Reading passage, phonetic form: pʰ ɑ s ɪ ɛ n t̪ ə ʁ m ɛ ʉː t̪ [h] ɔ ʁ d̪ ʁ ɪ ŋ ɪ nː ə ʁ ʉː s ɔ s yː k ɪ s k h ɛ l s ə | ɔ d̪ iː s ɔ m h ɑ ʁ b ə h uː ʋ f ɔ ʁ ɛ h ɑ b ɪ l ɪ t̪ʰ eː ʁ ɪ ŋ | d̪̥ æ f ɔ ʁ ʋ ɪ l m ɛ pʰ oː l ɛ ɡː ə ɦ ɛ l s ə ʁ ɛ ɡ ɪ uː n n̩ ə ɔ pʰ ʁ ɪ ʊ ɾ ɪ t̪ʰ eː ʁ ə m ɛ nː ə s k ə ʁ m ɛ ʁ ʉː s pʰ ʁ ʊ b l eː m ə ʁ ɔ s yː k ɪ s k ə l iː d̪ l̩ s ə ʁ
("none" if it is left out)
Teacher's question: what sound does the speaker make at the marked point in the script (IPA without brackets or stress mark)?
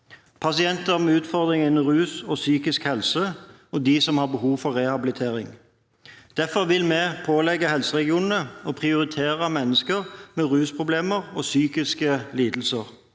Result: f